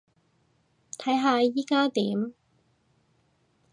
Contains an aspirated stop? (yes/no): yes